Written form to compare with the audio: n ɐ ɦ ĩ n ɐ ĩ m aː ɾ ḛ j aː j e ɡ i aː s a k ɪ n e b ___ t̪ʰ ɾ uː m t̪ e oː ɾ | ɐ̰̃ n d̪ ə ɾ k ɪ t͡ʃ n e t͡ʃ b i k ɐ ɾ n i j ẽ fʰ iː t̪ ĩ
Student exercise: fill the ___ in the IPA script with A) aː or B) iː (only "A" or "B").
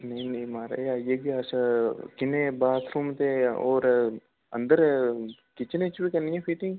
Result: A